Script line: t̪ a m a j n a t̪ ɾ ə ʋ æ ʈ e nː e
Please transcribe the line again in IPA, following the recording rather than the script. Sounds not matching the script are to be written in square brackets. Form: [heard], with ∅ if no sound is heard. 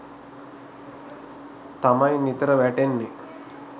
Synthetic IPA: t̪ a m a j n [i] t̪ ɾ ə ʋ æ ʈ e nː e

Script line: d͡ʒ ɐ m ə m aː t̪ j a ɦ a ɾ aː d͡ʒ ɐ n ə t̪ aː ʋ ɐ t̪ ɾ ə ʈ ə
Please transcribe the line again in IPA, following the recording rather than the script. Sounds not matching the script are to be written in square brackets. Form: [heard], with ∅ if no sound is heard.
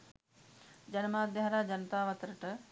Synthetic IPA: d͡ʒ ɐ [n] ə m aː [d̪] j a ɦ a ɾ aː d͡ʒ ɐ n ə t̪ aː ʋ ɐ t̪ ɾ ə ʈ ə

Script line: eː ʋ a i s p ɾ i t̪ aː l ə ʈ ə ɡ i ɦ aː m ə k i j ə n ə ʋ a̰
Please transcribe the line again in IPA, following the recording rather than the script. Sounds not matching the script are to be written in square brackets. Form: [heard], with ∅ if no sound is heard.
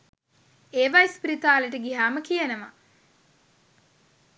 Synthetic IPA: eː ʋ a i s p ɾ i t̪ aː l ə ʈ ə ɡ i ɦ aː m ə k i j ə n ə ʋ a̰

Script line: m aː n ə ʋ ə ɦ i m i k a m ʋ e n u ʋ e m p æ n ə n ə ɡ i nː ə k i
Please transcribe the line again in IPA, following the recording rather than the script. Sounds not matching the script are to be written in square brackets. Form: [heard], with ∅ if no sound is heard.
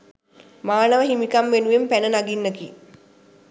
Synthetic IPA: m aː n ə ʋ ə ɦ i m i k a m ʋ e n u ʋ e m p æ n ə n [a] ɡ i nː ə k i

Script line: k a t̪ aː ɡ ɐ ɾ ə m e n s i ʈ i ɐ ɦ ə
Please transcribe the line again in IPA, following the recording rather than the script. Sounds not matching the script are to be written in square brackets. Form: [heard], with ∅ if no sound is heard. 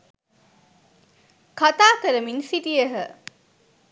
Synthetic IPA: k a t̪ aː [k] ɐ ɾ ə m [i] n s i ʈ i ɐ ɦ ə

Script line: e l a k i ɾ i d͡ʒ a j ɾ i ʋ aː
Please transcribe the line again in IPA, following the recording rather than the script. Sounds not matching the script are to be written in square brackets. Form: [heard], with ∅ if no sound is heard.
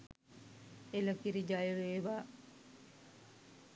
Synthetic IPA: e l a k i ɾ i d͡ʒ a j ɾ [e] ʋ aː

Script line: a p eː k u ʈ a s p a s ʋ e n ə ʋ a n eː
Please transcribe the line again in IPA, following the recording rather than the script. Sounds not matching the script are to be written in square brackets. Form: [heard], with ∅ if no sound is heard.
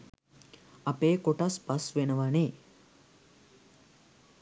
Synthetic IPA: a p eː k [o] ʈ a s p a s ʋ e n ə ʋ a n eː

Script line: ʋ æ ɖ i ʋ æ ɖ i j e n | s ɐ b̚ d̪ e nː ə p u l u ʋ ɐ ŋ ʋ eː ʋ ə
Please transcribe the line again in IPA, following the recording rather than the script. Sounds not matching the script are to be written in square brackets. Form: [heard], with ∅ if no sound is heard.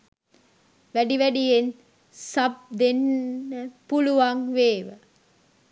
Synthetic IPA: ʋ æ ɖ i ʋ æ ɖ i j e n | s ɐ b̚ d̪ e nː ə p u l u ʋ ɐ ŋ ʋ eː ʋ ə

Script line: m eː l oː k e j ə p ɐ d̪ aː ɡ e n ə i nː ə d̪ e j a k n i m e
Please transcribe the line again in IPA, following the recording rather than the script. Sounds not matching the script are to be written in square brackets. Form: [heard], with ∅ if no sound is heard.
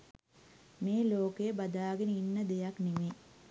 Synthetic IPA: m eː l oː k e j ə [b] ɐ d̪ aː ɡ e n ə i nː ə d̪ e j a k n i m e

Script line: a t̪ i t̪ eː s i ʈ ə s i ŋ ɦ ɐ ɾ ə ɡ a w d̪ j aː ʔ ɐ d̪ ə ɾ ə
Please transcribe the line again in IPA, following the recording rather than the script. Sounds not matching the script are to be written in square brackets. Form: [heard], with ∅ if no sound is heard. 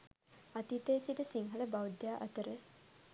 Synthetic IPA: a t̪ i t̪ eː s i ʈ ə s i ŋ ɦ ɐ [l] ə [b] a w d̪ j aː ʔ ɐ [t̪] ə ɾ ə

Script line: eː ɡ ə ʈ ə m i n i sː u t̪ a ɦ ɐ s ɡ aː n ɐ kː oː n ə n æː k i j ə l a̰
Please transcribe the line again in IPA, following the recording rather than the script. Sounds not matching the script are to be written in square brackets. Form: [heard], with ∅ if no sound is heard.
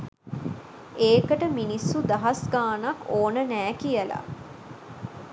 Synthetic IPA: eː [k] ə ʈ ə m i n i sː u [d̪] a ɦ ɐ s ɡ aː n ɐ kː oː n ə n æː k i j ə l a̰

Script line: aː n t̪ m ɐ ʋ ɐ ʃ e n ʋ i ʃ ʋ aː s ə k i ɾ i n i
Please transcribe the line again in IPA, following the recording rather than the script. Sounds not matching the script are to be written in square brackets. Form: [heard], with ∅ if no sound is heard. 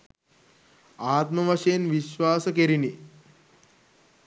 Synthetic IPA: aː [∅] t̪ m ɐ ʋ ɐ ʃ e n ʋ i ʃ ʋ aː s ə k [e] ɾ i n i

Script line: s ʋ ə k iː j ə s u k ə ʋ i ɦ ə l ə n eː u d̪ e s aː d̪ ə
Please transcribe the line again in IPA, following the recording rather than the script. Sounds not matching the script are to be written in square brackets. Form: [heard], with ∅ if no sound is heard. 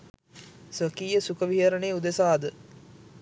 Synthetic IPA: s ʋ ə k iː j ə s u k ə ʋ i ɦ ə [ɾ] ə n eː u d̪ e s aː d̪ ə

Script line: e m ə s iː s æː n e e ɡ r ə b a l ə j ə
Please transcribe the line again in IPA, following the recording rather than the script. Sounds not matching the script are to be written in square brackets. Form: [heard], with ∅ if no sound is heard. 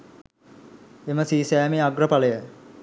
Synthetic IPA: e m ə s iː s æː [m] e [a] ɡ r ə [p] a l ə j ə

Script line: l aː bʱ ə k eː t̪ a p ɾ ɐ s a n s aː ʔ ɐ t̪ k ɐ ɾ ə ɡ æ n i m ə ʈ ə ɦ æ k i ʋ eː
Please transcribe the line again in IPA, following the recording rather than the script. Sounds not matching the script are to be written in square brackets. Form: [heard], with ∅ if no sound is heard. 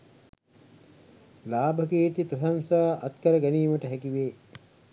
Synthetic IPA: l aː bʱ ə k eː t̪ [i] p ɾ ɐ s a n s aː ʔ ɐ t̪ k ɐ ɾ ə ɡ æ n [iː] m ə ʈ ə ɦ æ k i ʋ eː

